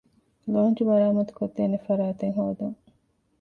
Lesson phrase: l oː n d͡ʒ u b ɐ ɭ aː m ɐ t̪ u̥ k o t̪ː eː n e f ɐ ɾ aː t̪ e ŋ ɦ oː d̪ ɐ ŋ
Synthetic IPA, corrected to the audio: l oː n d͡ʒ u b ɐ ɾ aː m ɐ t̪ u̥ k o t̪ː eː n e f ɐ ɾ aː t̪ e ŋ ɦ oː d̪ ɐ ŋ